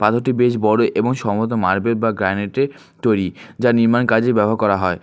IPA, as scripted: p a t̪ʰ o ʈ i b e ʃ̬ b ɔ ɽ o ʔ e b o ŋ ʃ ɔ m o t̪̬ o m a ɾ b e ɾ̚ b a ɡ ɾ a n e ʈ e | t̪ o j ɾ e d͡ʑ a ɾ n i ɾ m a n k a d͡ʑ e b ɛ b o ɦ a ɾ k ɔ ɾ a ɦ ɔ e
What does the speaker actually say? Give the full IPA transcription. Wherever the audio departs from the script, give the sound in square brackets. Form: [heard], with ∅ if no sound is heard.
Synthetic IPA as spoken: p a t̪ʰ o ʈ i b e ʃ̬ b ɔ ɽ o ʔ e b o ŋ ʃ ɔ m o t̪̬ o m a ɾ b e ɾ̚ b a ɡ ɾ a n e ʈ e | t̪ o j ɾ [i] d͡ʑ a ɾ n i ɾ m a n k a d͡ʑ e b ɛ b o ɦ a ɾ k ɔ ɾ a ɦ ɔ e